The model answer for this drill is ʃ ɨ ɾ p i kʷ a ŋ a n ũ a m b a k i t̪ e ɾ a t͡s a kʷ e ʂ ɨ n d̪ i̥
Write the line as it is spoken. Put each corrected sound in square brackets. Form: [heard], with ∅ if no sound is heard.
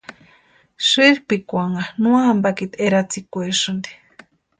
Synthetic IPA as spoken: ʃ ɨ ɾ p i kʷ a ŋ a n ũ a m b a k i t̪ e ɾ a t͡s [i] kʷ e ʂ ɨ n d̪ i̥